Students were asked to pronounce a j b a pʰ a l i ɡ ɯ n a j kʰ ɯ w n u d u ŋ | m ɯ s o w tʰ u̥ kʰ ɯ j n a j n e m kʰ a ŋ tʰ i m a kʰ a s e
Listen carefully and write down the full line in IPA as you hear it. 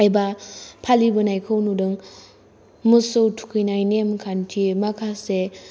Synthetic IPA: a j b a pʰ a l i b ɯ n a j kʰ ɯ w n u d ɯ ŋ | m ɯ s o w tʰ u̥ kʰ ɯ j n a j n e m kʰ a n tʰ i m a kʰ a s e